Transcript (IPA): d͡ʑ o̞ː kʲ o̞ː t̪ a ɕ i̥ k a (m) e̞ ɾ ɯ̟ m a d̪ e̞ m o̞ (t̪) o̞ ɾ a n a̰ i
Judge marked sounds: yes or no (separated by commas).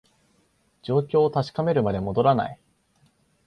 yes, no